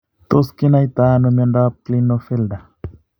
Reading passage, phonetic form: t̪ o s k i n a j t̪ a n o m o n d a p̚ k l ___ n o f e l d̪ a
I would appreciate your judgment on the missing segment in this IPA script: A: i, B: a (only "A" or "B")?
A